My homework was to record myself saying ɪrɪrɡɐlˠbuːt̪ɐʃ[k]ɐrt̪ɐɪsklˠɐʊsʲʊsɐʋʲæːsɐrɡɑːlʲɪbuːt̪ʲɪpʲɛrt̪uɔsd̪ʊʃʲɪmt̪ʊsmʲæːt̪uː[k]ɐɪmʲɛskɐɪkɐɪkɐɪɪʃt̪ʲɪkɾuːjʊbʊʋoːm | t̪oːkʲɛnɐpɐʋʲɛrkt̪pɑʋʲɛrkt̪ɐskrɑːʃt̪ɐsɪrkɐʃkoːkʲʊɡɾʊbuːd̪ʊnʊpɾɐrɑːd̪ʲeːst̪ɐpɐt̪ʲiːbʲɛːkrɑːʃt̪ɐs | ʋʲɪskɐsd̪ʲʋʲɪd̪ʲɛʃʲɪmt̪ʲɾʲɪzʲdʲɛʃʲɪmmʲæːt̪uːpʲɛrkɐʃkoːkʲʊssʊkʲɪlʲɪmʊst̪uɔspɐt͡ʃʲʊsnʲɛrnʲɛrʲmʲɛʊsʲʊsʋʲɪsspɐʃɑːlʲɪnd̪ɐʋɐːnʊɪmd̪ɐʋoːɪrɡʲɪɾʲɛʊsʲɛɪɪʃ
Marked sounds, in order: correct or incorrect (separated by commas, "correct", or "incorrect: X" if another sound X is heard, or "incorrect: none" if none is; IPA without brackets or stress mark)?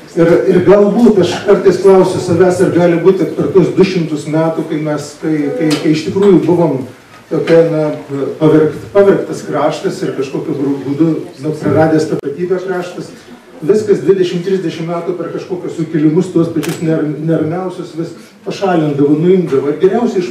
correct, correct